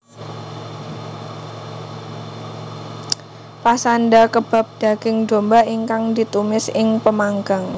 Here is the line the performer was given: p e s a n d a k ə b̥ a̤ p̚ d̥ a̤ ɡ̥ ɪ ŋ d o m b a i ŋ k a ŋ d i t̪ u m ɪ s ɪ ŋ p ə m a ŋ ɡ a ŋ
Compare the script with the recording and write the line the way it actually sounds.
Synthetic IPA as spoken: p a s a n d a k ə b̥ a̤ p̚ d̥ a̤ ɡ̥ ɪ ŋ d o m b a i ŋ k a ŋ d i t̪ u m ɪ s ɪ ŋ p ə m a ŋ ɡ a ŋ